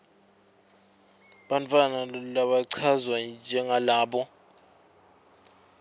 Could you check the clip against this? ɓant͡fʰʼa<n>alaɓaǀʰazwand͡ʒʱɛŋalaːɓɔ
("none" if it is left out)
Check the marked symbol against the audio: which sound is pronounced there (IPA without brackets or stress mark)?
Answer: n